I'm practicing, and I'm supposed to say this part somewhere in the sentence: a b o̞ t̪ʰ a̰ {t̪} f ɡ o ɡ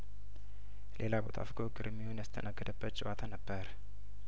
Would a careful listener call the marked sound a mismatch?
yes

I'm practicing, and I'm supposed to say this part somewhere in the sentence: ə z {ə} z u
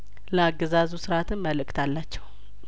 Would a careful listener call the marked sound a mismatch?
yes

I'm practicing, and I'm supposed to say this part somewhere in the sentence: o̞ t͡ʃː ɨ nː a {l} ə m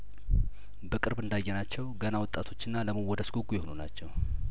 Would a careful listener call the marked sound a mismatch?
no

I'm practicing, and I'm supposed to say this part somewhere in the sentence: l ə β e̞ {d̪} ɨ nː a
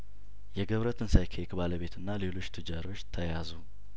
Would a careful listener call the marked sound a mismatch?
yes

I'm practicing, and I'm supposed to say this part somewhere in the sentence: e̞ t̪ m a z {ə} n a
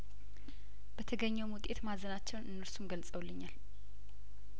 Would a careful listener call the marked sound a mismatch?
no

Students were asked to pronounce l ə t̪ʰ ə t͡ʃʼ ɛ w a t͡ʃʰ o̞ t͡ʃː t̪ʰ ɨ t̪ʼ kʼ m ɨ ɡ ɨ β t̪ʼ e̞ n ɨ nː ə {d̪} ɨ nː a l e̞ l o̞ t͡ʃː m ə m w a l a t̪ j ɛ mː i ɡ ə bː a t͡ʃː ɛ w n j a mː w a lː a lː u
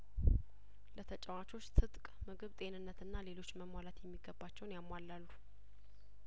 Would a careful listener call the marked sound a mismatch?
yes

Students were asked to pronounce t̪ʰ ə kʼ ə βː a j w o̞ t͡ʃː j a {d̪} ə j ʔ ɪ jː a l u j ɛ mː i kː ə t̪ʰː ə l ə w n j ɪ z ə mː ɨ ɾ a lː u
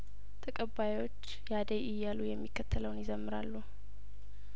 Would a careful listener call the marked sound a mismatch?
no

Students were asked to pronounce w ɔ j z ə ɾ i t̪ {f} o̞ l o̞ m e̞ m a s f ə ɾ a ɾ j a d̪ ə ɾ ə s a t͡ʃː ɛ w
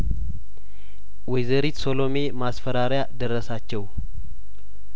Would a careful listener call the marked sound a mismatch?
yes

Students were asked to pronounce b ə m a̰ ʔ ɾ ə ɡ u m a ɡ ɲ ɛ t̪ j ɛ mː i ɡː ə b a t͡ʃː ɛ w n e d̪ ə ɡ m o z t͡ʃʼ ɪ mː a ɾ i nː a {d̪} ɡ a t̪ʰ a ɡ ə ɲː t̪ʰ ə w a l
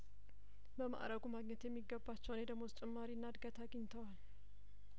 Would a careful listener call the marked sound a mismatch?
no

